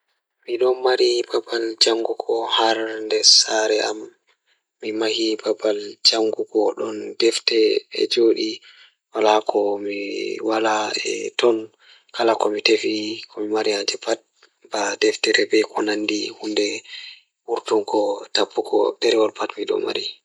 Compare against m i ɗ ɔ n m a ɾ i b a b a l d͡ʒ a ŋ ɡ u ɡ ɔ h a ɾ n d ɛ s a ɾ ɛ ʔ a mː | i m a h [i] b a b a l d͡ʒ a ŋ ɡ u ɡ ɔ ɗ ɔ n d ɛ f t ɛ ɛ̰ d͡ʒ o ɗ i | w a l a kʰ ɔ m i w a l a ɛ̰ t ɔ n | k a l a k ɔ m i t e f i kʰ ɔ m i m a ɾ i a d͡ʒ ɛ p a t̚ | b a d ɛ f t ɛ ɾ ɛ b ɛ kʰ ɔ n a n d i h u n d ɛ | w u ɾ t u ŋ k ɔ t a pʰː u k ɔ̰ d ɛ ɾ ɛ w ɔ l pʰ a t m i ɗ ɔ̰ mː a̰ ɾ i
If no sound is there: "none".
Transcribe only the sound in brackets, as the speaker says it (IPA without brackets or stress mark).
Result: i